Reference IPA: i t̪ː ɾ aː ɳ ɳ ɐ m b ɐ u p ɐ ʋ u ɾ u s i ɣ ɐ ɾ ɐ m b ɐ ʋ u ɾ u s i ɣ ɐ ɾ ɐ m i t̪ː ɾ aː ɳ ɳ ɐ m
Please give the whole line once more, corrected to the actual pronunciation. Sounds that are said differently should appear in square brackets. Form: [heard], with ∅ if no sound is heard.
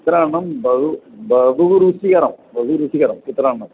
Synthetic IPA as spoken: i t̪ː ɾ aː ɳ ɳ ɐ m b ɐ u [b] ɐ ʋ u ɾ u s i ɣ ɐ ɾ ɐ m b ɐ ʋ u ɾ u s i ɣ ɐ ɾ ɐ m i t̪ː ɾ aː ɳ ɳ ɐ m